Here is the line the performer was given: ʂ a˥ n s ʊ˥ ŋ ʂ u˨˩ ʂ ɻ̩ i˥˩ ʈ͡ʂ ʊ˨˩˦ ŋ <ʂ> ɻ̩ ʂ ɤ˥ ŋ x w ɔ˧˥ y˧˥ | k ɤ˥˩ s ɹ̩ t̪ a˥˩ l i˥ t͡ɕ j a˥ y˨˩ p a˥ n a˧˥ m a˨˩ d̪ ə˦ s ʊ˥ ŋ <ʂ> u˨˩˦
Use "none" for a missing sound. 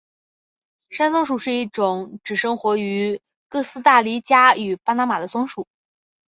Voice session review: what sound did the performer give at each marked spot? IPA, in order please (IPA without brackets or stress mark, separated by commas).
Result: ʈ͡ʂ, ʂ